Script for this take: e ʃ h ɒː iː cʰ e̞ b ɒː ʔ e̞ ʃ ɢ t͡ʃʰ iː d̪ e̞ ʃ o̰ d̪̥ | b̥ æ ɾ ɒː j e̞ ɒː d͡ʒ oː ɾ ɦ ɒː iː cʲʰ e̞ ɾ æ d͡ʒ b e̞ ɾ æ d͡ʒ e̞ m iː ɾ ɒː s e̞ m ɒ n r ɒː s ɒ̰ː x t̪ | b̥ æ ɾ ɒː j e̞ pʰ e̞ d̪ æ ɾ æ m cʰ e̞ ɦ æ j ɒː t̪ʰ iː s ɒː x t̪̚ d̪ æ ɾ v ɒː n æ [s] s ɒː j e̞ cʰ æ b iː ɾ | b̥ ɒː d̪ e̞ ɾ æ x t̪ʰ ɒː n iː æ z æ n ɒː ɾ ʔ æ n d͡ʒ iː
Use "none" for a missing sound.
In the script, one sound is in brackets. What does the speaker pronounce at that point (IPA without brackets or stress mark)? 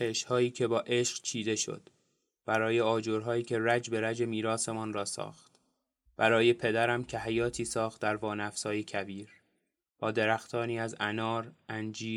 f